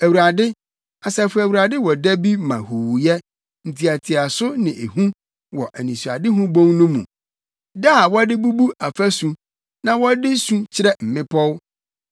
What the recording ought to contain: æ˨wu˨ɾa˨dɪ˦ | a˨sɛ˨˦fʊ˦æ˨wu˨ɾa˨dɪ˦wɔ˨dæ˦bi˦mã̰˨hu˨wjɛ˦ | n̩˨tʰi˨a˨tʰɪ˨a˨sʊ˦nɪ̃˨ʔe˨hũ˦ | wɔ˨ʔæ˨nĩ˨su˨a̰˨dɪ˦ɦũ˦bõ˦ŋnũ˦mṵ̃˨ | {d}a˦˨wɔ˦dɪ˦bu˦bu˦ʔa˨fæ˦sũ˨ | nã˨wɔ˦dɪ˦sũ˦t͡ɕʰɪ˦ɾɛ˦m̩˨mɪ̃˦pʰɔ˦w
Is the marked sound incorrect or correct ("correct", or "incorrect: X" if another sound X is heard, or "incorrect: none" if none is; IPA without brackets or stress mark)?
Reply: correct